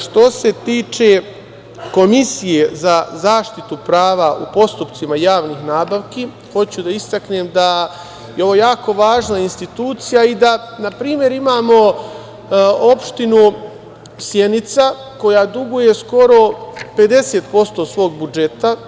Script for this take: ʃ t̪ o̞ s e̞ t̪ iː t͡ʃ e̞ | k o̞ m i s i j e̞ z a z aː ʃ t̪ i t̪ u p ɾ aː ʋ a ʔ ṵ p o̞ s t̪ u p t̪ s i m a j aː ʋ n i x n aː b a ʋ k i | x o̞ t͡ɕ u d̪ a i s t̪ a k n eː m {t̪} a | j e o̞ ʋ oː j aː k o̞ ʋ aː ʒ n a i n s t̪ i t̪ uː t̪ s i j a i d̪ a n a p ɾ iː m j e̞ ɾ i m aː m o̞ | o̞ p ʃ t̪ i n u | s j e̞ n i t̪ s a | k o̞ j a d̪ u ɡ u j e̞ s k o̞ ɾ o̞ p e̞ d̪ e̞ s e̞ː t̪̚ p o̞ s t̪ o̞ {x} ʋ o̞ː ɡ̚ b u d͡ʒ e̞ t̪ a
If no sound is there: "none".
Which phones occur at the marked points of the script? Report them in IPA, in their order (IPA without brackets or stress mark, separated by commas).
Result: d̪, s